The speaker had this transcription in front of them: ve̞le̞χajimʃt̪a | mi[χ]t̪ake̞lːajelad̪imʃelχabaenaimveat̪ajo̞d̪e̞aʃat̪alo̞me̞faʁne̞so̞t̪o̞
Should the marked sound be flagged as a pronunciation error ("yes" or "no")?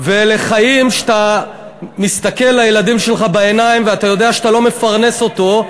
yes